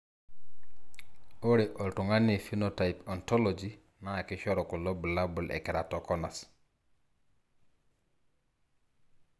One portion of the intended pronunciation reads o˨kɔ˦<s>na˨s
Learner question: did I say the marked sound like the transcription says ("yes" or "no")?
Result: no